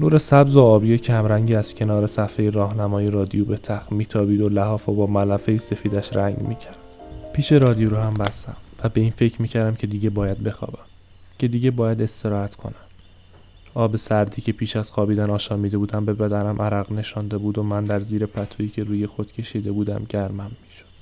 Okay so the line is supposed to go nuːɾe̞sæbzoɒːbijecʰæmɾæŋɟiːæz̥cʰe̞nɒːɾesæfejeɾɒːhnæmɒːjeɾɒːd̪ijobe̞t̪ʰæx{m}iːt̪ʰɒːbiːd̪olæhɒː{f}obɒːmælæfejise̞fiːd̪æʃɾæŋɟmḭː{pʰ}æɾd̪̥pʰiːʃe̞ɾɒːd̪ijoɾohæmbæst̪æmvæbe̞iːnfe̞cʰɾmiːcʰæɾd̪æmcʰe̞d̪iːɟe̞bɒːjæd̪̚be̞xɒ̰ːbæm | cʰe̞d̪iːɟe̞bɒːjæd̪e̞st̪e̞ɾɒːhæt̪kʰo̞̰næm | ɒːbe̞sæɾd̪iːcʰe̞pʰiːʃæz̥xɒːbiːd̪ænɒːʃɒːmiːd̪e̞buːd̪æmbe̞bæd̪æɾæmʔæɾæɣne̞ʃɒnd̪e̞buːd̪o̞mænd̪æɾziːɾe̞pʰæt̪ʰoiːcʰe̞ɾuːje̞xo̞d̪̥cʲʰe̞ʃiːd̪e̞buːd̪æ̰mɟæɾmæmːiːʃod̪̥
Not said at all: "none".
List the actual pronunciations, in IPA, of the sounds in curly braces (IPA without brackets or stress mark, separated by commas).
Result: m, f, cʰ